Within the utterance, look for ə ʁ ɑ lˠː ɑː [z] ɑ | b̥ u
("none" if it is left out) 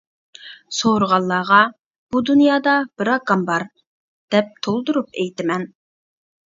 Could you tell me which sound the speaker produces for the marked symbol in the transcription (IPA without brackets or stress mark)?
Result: ʁ